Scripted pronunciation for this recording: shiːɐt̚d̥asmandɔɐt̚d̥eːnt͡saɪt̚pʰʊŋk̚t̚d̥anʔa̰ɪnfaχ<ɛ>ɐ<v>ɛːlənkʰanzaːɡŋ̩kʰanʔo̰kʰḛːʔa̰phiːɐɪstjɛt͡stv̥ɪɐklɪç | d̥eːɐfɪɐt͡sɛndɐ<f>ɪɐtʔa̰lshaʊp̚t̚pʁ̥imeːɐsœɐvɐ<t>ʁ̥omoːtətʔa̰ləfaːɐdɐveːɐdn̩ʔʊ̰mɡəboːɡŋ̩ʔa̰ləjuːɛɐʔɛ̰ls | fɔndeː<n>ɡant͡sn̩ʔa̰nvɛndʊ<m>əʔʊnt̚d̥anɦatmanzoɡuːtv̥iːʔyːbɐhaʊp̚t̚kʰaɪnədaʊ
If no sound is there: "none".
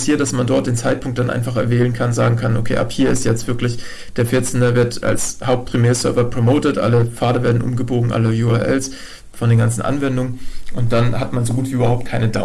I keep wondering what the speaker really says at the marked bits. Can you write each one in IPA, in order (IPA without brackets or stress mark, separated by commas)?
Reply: ɛ, v, v, p, n, ŋ